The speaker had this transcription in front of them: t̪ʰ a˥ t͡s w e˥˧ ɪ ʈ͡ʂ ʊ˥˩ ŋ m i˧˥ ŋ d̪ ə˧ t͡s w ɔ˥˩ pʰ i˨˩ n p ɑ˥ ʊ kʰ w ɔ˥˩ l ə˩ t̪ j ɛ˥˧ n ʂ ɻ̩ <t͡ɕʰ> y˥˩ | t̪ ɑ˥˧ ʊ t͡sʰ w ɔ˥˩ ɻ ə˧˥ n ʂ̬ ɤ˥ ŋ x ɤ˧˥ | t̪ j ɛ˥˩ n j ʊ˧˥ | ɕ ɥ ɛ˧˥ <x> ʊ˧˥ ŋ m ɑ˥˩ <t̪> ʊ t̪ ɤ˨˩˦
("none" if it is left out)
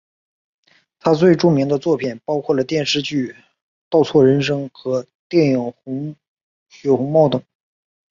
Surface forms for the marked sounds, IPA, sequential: t͡ɕ, x, none

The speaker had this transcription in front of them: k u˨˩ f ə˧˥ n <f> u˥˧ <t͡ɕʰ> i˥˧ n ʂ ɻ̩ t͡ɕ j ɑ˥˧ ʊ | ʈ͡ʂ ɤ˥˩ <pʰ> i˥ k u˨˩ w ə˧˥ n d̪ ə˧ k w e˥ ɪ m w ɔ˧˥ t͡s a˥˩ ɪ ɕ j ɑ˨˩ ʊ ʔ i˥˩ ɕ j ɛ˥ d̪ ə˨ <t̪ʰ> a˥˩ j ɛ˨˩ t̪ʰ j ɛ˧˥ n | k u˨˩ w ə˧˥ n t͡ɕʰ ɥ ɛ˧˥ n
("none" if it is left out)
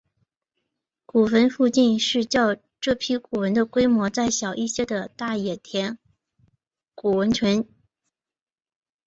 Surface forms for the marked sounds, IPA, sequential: f, t͡ɕ, pʰ, t̪

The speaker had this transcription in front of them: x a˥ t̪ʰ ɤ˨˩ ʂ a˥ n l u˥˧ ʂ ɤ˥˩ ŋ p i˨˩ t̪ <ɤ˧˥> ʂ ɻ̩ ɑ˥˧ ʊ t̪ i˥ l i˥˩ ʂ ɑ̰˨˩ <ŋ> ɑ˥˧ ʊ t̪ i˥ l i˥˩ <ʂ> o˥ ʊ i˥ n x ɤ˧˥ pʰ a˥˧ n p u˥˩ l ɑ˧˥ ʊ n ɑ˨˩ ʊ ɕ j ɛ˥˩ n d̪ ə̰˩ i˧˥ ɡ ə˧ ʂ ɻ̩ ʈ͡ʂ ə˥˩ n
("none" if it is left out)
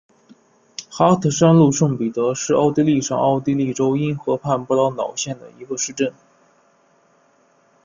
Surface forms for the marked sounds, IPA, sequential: ɤ˧˥, ŋ, ʈ͡ʂ

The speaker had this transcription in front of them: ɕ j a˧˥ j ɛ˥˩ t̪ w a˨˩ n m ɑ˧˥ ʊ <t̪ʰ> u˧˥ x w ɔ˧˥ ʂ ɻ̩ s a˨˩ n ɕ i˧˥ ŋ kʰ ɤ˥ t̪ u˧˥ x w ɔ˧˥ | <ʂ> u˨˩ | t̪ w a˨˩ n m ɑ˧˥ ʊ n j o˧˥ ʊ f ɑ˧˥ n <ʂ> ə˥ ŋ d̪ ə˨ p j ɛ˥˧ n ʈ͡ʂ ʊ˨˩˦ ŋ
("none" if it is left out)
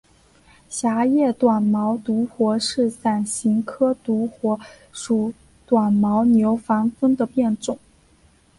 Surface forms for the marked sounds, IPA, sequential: t̪, ʂ, f

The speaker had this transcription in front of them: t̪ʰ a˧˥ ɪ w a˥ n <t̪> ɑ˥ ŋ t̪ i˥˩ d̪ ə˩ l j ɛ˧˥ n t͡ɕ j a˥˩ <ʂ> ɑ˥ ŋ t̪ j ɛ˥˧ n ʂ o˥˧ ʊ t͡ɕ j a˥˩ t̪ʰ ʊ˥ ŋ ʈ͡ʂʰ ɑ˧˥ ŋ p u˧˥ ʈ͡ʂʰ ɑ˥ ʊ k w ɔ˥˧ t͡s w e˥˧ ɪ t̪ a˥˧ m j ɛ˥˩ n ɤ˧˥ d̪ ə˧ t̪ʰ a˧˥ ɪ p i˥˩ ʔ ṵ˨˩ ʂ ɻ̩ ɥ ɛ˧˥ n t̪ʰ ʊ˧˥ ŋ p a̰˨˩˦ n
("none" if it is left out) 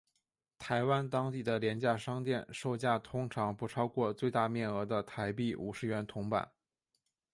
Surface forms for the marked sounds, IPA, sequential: t̪, ʂ

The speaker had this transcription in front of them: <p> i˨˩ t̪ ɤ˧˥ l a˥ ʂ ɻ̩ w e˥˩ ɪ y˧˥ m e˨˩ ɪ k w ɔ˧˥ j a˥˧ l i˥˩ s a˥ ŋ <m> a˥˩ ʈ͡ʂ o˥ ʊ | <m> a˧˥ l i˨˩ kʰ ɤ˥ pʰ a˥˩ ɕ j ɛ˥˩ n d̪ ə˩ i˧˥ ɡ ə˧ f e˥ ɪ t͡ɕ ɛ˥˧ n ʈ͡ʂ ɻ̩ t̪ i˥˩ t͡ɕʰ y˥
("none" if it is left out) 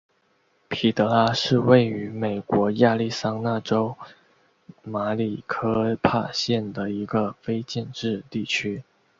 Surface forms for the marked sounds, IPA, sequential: pʰ, n, m

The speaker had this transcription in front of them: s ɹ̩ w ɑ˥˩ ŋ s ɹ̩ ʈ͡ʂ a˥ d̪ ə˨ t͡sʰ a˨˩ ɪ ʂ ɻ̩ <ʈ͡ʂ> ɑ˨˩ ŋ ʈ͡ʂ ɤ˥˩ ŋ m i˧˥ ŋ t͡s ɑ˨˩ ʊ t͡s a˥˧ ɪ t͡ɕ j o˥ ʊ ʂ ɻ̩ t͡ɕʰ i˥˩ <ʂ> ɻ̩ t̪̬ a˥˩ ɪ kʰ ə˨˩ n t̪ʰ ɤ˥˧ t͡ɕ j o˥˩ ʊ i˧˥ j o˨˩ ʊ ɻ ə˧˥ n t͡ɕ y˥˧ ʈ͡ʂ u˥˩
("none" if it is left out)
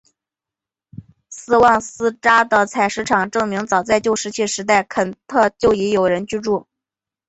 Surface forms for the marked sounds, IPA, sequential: ʈ͡ʂʰ, ʂ

